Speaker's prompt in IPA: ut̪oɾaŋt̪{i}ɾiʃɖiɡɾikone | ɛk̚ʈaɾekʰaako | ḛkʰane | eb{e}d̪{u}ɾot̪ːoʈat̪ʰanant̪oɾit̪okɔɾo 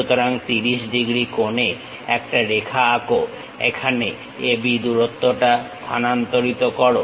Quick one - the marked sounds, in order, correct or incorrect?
correct, incorrect: i, correct

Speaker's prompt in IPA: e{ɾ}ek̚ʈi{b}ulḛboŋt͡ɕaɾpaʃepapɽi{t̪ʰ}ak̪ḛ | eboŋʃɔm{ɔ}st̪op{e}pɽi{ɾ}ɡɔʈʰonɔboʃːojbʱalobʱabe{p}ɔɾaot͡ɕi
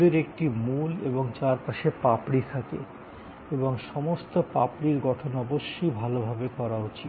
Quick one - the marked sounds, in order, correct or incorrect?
correct, incorrect: m, correct, incorrect: o, incorrect: a, correct, incorrect: k

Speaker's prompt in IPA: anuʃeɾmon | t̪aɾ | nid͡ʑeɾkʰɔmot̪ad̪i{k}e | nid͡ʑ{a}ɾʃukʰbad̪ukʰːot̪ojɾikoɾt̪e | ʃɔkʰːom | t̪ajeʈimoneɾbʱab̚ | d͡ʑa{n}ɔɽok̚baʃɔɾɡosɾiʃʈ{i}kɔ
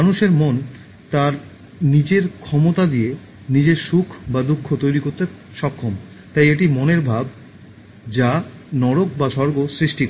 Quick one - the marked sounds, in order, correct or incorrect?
incorrect: none, incorrect: e, correct, correct

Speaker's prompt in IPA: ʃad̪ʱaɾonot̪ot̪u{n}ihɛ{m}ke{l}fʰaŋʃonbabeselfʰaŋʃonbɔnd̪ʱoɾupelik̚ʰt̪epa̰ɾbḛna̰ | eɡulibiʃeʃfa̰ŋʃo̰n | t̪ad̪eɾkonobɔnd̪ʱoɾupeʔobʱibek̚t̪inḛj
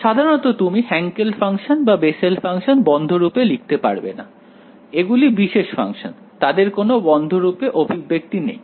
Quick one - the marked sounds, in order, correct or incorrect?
incorrect: m, incorrect: ŋ, correct

